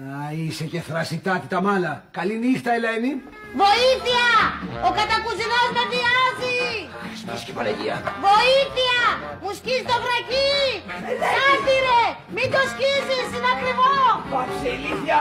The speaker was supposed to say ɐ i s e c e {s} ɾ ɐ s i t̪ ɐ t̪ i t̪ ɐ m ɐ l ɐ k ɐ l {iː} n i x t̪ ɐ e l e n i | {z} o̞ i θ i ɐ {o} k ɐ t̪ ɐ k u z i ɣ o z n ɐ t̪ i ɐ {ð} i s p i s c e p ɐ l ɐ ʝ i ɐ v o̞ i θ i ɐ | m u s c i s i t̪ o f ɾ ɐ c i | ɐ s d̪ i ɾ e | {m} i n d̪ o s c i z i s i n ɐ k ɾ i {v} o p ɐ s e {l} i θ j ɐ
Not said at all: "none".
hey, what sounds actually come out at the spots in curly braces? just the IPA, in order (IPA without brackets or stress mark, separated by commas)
θ, i, v, o, z, m, v, l